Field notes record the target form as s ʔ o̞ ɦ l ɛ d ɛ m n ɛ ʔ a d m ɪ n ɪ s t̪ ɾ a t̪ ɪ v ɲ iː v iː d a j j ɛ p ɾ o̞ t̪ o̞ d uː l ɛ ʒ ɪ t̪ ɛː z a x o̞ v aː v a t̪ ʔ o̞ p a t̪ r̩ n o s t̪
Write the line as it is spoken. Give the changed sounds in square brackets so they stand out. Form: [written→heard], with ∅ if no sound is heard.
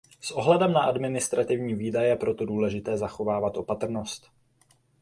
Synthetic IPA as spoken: s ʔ o̞ ɦ l ɛ d ɛ m n [ɛ→a] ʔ a d m ɪ n ɪ s t̪ ɾ a t̪ ɪ v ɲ iː v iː d a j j ɛ p ɾ o̞ t̪ o̞ d uː l ɛ ʒ ɪ t̪ ɛː z a x o̞ v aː v a t̪ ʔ o̞ p a t̪ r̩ n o s t̪